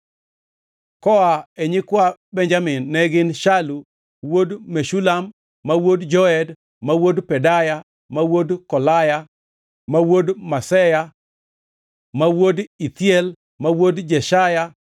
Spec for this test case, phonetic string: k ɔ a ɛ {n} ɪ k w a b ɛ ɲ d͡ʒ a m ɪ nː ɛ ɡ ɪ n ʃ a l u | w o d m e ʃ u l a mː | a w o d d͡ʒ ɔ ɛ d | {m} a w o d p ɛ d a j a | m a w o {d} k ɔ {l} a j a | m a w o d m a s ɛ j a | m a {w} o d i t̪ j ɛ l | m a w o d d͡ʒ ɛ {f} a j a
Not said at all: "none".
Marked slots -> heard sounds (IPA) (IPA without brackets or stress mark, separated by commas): ɲ, m, d, l, w, ʃ